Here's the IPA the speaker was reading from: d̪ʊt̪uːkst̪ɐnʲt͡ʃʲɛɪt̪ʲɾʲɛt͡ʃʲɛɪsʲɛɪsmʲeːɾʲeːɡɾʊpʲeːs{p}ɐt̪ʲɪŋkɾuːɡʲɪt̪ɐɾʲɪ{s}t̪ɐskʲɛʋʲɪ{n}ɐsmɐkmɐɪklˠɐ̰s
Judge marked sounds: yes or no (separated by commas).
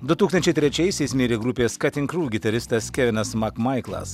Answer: no, yes, yes